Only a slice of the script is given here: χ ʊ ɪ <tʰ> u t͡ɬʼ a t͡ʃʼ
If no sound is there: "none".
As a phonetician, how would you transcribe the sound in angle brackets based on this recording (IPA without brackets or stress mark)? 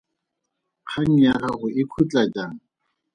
kʰ